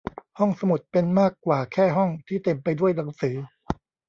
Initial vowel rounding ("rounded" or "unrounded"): rounded